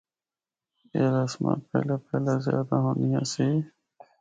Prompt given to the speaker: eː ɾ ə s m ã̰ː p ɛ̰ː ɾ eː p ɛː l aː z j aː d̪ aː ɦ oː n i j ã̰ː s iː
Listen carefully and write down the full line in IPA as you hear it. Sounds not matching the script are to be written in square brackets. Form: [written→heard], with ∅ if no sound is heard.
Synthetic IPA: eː ɾ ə s m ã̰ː p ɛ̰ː [ɾ→l] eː p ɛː l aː z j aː d̪ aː ɦ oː n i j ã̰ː s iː